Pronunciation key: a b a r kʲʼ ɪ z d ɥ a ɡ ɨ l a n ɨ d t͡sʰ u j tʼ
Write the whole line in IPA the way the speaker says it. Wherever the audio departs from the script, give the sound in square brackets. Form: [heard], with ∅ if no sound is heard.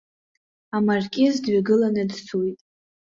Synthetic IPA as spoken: a [m] a r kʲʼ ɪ z d ɥ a ɡ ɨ l a n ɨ d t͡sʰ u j tʼ